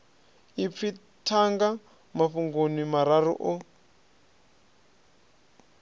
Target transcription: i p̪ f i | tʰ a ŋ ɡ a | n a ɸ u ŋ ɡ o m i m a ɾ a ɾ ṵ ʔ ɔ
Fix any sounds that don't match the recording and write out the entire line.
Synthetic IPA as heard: i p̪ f i | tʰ a ŋ ɡ a | m a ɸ u ŋ ɡ o n i m a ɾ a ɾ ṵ ʔ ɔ